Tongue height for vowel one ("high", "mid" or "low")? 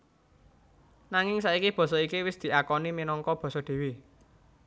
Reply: low